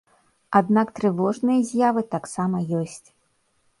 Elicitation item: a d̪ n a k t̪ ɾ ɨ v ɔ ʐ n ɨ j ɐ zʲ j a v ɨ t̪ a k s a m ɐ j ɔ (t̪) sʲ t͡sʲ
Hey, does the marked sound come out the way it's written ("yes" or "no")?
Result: no